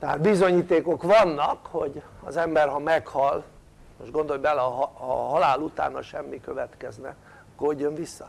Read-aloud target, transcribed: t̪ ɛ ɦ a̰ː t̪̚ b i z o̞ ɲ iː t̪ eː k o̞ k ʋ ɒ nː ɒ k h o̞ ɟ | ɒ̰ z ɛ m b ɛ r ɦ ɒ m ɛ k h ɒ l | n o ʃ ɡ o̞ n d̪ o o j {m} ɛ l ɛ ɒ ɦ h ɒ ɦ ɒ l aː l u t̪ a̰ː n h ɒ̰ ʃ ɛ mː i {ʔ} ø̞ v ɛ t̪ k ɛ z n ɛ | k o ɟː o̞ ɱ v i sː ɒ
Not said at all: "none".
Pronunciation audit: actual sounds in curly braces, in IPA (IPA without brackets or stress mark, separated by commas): b, k